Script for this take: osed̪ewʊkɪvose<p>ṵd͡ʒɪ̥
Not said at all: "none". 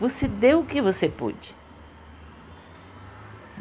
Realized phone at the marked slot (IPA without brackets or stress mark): p